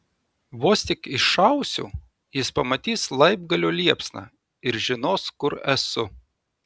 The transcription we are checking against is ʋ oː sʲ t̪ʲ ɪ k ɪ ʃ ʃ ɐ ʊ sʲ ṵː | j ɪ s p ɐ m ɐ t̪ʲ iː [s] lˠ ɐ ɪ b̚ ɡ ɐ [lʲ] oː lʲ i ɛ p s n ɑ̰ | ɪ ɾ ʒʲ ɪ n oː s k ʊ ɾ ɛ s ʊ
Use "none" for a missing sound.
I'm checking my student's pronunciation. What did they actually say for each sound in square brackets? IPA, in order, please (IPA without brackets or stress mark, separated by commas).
s, lʲ